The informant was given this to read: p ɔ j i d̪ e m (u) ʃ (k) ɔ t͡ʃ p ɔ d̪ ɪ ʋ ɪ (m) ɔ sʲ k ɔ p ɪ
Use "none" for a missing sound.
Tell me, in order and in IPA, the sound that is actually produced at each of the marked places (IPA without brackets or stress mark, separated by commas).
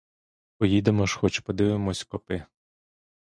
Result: ɔ, x, m